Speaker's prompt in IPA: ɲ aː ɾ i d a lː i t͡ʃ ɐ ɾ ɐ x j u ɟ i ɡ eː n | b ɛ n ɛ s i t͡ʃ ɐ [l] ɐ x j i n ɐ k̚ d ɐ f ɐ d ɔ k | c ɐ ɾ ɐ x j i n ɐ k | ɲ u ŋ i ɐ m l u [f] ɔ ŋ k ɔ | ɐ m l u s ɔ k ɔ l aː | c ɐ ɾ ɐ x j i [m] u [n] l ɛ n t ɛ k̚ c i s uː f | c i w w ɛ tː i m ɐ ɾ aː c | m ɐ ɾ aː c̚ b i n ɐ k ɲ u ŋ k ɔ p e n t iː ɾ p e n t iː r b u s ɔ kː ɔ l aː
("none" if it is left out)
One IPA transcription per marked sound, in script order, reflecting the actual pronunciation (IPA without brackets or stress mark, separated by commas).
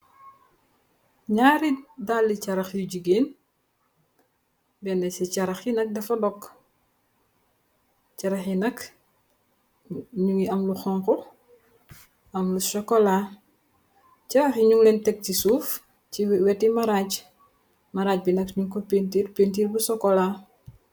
ɾ, x, ɲ, ŋ